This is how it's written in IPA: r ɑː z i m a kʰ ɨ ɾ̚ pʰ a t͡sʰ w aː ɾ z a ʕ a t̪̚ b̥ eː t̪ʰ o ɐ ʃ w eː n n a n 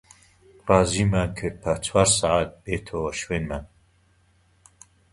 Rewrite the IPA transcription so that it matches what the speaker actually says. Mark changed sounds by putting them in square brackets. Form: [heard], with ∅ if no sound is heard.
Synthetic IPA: r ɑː z i m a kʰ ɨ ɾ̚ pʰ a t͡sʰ w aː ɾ [s] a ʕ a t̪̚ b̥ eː t̪ʰ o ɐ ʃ w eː n [m] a n